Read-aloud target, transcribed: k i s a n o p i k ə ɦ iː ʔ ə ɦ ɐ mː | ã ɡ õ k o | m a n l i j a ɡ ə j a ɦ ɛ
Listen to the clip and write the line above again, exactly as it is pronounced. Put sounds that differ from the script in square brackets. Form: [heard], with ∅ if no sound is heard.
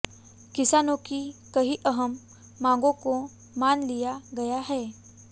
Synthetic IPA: k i s a n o [k] i k ə ɦ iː ʔ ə ɦ [ə] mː | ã ɡ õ k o | m a n l i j a ɡ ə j a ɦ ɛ

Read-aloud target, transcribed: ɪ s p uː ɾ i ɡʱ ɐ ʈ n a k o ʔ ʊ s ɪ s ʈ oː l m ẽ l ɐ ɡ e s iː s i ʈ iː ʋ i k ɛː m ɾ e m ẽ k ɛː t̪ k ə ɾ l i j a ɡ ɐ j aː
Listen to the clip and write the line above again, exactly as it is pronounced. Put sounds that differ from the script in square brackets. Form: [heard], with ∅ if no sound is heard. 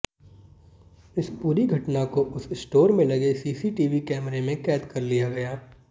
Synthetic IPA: ɪ s p uː ɾ i ɡʱ ɐ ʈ n a k o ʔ ʊ s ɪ s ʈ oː [ɾ] m ẽ l ɐ ɡ e s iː s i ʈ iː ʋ i k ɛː m ɾ e m ẽ k ɛː t̪ k [ɐ] ɾ l i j a ɡ ɐ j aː

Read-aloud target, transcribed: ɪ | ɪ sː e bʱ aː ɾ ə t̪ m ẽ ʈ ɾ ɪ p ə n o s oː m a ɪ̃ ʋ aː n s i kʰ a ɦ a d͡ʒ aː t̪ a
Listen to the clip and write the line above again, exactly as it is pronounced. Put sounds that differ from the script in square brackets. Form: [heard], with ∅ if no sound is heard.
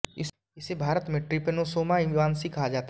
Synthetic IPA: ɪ | ɪ [s] e bʱ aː ɾ ə t̪ m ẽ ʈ ɾ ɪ p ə n o s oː m a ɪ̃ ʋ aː n s i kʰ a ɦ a d͡ʒ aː t̪ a

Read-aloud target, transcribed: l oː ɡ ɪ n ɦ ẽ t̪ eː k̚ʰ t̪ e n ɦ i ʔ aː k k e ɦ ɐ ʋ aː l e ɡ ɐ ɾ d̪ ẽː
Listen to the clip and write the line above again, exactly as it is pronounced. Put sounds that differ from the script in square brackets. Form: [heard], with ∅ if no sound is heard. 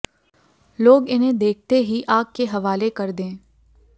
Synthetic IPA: l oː ɡ ɪ n ɦ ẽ [d̪] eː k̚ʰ t̪ e [∅] ɦ i ʔ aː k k e ɦ ɐ ʋ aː l e [k] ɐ ɾ d̪ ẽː

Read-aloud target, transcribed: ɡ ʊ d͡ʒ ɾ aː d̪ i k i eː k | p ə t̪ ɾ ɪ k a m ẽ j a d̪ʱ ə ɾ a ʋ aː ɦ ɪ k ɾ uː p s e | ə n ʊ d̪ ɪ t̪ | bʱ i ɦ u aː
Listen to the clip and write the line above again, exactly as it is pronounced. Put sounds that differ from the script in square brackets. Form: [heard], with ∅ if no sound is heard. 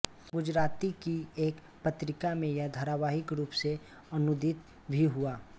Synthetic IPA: ɡ ʊ d͡ʒ ɾ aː [t̪] i k i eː k | p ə t̪ ɾ ɪ k a m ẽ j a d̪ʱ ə ɾ a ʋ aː ɦ ɪ k ɾ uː p s e | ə n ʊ d̪ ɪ t̪ | bʱ i ɦ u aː

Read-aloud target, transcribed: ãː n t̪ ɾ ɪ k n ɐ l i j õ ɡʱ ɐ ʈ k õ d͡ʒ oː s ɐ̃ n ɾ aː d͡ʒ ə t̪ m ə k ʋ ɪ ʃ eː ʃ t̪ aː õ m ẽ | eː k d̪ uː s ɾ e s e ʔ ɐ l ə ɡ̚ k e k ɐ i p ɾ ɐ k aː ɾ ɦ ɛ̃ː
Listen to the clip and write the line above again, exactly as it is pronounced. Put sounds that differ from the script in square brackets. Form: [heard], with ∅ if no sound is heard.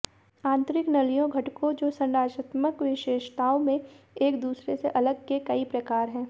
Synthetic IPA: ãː n t̪ ɾ ɪ k n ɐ l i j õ ɡʱ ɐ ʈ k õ d͡ʒ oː s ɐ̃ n ɾ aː d͡ʒ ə t̪ m ə k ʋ ɪ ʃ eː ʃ t̪ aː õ m ẽ | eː k d̪ uː s ɾ e s e ʔ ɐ l ə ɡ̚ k e k ɐ i p ɾ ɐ k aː ɾ ɦ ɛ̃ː

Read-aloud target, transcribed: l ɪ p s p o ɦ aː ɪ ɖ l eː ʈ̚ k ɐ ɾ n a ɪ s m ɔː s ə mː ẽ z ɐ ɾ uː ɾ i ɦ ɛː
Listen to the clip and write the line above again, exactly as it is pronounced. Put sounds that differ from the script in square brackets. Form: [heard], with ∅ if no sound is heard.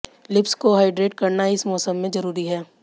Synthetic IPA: l ɪ p s [k] o ɦ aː ɪ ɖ [ɾ] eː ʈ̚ k ɐ ɾ n a ɪ s m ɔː s ə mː ẽ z ɐ ɾ uː ɾ i ɦ ɛː

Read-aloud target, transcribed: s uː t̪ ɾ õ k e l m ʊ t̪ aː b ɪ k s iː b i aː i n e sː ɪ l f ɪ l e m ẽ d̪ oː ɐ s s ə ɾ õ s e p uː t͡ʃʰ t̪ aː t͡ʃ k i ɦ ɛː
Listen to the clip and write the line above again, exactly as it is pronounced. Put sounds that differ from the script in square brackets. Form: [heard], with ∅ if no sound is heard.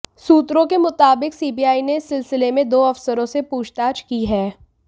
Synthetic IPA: s uː t̪ ɾ õ k e [∅] m ʊ t̪ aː b ɪ k s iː b i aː i n e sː ɪ l [s] ɪ l e m ẽ d̪ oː ɐ [f] s ə ɾ õ s e p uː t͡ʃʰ t̪ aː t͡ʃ k i ɦ ɛː

